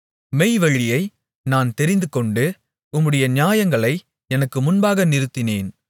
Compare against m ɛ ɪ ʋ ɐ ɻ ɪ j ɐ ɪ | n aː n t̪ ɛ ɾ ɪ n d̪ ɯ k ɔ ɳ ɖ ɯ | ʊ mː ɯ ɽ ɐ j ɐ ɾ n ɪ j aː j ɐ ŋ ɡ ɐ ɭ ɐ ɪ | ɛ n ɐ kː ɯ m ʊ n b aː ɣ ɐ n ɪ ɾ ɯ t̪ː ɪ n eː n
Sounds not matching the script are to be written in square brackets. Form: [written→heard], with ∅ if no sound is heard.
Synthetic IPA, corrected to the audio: m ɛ ɪ ʋ ɐ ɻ ɪ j ɐ ɪ | n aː n t̪ ɛ ɾ ɪ n d̪ ɯ k ɔ ɳ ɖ ɯ | ʊ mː ɯ ɽ ɐ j ɐ [ɾ→∅] n ɪ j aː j ɐ ŋ ɡ ɐ ɭ ɐ ɪ | ɛ n ɐ kː ɯ m ʊ n b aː ɣ ɐ n ɪ ɾ ɯ t̪ː ɪ n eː n